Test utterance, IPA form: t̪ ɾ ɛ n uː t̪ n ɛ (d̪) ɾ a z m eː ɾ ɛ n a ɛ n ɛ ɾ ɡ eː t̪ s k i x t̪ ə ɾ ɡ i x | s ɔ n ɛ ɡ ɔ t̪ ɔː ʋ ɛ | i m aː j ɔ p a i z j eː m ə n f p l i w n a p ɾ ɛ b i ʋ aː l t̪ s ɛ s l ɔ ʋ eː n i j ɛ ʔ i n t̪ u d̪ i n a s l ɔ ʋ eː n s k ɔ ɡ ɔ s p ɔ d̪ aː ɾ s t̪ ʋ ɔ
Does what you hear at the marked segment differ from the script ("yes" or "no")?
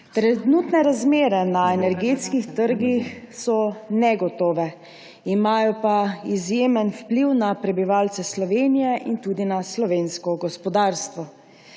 yes